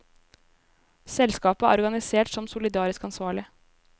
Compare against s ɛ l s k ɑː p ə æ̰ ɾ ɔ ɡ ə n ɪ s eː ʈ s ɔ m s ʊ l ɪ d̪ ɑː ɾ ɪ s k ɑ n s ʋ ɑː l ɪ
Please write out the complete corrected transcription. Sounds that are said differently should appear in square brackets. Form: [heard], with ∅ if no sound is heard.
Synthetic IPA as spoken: s ɛ l s k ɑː p ə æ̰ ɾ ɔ ɡ [ɑ] n ɪ s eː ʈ s ɔ m s ʊ l ɪ d̪ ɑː ɾ ɪ s k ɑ n s ʋ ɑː [ɭ] ɪ